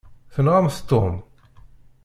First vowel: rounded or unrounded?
unrounded